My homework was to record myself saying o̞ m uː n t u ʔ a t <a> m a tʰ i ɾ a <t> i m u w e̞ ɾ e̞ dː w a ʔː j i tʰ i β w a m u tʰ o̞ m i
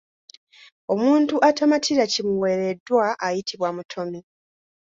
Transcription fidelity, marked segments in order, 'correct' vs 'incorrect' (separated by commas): correct, incorrect